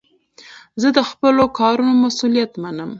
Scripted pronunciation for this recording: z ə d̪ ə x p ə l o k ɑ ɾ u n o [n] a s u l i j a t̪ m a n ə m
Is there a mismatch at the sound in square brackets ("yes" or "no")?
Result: yes